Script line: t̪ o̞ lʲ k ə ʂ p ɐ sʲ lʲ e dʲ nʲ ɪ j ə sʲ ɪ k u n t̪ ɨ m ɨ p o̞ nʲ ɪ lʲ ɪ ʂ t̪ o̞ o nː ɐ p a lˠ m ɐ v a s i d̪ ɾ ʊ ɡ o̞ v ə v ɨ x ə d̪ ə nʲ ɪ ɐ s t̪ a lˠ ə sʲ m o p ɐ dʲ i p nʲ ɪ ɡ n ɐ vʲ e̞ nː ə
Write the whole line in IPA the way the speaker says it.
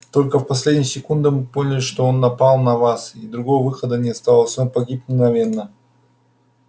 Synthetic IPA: t̪ o̞ lʲ k ə f p ɐ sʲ lʲ e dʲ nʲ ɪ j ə sʲ ɪ k u n d̪ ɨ m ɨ p o̞ nʲ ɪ lʲ ɪ ʂ t̪ o̞ o nː ɐ p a lˠ n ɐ v a s i d̪ ɾ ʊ ɡ o̞ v ə v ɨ x ə d̪ ə nʲ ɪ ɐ s t̪ a lˠ ə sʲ n o p ɐ ɡʲ i p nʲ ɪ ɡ n ɐ vʲ e̞ nː ə